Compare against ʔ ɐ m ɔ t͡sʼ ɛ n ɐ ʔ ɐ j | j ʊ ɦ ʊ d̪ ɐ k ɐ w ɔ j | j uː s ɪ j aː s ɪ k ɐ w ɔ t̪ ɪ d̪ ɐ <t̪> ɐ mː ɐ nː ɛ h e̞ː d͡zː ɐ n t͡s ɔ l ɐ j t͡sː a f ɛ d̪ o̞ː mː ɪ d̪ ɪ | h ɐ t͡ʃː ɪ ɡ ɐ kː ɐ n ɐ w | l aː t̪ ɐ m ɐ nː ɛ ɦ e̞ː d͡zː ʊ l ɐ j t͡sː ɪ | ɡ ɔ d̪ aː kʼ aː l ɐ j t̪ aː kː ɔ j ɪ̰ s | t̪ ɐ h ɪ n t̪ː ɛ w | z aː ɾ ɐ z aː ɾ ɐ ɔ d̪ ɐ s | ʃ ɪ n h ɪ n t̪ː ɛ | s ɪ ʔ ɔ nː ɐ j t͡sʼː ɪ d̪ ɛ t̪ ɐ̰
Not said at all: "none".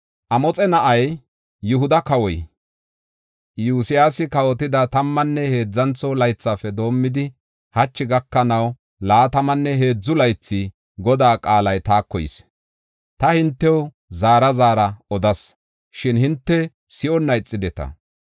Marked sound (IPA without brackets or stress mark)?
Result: t̪